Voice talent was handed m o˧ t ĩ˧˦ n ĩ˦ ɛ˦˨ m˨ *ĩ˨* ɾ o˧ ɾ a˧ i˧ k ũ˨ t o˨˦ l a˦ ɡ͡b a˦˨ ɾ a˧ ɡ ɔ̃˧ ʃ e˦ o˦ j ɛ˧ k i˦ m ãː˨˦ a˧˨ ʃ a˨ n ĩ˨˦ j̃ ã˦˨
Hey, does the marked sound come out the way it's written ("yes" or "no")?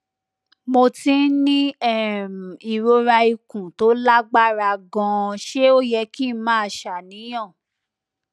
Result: no